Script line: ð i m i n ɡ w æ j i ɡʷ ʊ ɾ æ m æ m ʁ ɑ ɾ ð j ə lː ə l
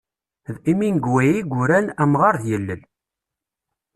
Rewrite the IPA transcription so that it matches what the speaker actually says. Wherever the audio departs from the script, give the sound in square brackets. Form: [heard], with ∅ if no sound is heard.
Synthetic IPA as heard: ð i m i n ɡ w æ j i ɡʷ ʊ ɾ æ [n] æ m ʁ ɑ ɾ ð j ə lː ə l